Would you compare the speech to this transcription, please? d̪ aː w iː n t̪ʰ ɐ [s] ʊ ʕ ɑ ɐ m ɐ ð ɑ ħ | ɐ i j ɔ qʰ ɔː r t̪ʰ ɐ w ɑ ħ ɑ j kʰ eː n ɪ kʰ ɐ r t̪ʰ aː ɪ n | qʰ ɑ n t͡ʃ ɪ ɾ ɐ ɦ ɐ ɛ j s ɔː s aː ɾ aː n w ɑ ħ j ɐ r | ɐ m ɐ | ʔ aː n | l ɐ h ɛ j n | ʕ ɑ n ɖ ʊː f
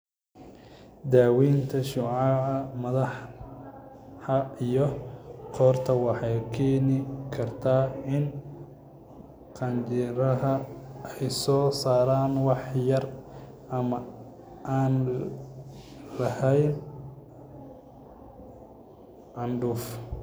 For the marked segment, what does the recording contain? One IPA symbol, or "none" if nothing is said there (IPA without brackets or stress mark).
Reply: ʃ